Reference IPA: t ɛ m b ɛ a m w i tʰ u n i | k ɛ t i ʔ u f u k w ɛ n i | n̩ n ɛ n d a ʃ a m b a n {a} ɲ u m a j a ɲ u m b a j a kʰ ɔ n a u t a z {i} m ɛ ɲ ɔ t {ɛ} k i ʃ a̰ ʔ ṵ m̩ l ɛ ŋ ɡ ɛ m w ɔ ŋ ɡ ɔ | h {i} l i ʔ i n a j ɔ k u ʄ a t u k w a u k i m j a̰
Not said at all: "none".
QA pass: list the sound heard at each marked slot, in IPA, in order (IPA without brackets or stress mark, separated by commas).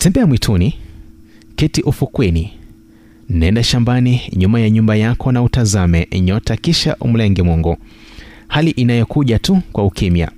i, a, a, a